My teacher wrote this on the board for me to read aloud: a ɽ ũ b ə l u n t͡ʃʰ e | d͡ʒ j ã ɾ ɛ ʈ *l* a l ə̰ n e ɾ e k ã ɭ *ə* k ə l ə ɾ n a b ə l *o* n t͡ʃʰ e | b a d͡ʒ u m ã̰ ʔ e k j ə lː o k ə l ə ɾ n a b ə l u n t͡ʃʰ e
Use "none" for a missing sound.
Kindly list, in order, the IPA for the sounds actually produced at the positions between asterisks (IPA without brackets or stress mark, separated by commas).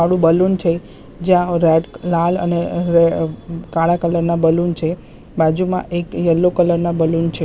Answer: l, a, u